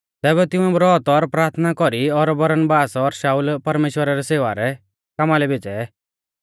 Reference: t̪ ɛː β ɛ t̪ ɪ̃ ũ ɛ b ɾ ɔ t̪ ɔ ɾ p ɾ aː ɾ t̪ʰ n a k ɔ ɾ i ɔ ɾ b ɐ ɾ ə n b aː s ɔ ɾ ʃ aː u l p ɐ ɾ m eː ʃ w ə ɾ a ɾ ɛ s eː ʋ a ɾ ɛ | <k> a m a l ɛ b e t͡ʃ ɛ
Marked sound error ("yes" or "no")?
no